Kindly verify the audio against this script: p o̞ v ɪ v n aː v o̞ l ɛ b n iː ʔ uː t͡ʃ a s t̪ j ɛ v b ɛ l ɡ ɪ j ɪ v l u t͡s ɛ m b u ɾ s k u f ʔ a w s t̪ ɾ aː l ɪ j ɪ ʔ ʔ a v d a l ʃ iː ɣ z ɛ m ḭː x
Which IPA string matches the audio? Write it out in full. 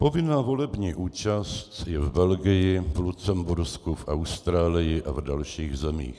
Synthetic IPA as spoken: p o̞ v ɪ n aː v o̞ l ɛ b ɲ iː ʔ uː t͡ʃ a s t̪ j ɛ v b ɛ l ɡ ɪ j ɪ v l u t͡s ɛ m b u ɾ s k u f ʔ a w s t̪ ɾ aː l ɪ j ɪ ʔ ʔ a v d a l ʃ iː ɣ z ɛ m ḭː x